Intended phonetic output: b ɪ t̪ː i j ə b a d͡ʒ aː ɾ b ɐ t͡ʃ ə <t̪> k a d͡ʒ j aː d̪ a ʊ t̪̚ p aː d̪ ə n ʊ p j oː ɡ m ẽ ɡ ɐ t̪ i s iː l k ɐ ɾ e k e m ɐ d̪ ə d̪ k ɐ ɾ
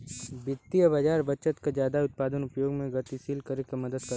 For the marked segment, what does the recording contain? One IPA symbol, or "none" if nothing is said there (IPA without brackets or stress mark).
t̪